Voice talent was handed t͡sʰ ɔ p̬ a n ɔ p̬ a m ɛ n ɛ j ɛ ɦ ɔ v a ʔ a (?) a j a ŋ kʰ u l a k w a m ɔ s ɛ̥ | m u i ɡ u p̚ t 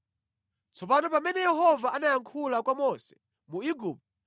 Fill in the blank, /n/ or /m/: n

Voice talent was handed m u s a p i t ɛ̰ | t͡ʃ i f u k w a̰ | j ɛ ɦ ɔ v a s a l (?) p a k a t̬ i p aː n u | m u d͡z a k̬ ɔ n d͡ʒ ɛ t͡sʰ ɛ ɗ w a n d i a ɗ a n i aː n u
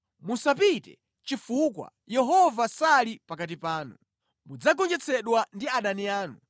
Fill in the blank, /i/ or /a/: i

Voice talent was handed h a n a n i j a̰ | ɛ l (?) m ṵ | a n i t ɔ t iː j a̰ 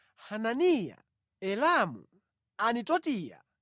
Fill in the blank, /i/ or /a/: a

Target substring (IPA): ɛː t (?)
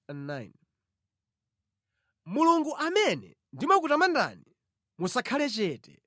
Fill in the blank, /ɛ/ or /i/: ɛ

